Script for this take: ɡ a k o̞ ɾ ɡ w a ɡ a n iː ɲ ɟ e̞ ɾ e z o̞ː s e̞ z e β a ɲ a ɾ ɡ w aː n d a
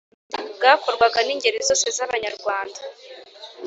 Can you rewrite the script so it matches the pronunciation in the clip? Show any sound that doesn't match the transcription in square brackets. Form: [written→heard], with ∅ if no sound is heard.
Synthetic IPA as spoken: ɡ a k o̞ ɾ ɡ w a ɡ a n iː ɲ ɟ e̞ ɾ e z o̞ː s e̞ z [e→a] β a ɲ a ɾ ɡ w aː n d a